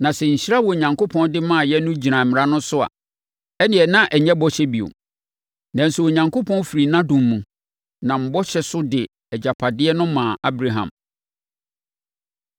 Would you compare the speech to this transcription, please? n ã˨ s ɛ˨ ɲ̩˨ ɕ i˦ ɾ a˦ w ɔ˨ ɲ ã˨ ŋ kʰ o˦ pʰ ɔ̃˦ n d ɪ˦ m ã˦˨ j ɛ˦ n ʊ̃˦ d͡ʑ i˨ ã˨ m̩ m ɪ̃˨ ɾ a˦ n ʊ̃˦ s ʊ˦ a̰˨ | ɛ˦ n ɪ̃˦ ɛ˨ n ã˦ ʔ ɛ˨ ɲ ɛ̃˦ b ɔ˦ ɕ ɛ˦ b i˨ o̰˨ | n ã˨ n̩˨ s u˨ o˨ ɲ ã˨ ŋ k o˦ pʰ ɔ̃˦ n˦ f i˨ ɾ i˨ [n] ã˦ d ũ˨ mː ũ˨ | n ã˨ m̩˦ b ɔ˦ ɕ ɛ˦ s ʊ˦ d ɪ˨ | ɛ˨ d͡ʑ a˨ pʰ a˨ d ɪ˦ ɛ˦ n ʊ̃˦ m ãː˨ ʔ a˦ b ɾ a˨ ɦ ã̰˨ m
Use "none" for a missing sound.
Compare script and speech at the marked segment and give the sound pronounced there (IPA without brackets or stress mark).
n